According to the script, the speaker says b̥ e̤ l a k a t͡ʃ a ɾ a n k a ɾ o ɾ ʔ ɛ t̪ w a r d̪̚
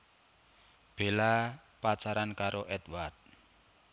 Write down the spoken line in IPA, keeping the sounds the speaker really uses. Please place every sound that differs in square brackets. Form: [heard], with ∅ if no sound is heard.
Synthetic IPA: b̥ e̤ l a [p] a t͡ʃ a ɾ a n k a ɾ o [∅] ʔ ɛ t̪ w a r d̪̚